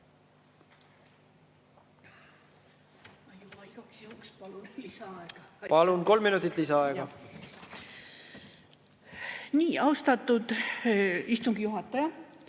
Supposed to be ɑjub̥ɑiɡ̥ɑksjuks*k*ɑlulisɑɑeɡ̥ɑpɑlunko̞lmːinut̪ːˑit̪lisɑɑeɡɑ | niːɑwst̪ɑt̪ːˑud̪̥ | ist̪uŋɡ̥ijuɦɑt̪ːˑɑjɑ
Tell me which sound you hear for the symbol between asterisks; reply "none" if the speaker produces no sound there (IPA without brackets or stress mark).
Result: p